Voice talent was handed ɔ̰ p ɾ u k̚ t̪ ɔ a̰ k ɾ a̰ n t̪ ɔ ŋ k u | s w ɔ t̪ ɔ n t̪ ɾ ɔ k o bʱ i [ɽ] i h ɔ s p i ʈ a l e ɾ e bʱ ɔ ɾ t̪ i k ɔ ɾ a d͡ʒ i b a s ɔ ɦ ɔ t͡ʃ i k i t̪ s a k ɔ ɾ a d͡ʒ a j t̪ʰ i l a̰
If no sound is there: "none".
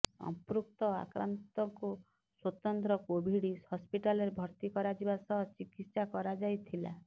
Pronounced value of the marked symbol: ɽ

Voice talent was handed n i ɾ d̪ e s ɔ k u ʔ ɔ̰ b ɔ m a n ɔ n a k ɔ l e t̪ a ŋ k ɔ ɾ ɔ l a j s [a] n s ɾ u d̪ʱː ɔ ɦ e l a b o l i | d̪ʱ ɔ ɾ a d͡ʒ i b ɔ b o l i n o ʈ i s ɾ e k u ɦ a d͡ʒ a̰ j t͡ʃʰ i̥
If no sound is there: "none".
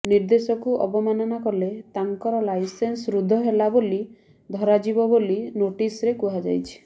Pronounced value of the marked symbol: e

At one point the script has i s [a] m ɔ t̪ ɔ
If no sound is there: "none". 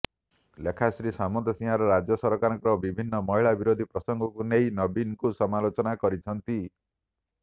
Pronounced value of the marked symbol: a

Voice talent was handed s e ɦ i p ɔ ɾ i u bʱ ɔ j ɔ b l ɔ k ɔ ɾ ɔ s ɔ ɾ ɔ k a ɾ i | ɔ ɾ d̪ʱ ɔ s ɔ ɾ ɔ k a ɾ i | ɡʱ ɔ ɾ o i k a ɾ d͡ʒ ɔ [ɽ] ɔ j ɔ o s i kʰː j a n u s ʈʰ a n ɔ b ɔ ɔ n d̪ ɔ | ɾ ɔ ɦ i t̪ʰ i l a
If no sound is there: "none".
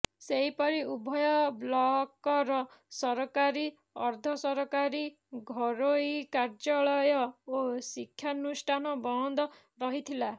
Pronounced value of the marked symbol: ɭ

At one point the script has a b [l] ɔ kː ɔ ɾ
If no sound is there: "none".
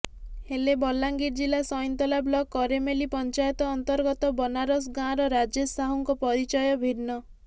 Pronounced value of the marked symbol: l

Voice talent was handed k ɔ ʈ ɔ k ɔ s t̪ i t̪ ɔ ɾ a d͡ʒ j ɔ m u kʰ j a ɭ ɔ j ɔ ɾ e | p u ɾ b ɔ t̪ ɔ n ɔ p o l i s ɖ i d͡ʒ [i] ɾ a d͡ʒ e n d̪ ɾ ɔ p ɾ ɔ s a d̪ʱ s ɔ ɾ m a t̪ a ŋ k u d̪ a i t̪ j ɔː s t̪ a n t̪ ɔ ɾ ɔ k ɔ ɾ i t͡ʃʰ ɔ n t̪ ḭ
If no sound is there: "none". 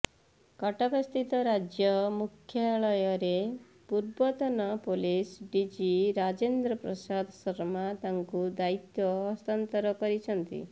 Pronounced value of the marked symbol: i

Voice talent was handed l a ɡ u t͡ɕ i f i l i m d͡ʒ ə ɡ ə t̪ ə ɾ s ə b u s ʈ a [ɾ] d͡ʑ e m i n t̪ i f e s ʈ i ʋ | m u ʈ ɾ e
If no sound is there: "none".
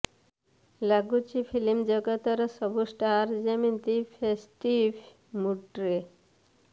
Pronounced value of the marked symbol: ɾ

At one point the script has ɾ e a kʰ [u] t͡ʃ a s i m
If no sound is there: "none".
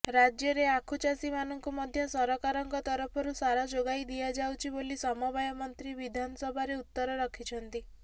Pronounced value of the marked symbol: u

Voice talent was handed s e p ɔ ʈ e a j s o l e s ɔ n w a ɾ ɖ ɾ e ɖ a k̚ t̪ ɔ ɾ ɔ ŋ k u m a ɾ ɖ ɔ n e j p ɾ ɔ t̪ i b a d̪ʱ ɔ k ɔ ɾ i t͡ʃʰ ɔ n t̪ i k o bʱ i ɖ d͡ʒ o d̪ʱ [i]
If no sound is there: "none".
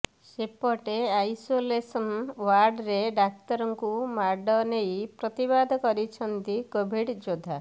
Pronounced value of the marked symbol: a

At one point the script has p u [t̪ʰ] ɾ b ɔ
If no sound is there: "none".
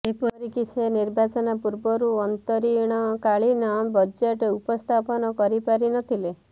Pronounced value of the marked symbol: none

